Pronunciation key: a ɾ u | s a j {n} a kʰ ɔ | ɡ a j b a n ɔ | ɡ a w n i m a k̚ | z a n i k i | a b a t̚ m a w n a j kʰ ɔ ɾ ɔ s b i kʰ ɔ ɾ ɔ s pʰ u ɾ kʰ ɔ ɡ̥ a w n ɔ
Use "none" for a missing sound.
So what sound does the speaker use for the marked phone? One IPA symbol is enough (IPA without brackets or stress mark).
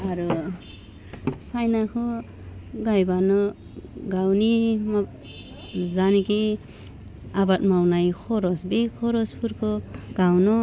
n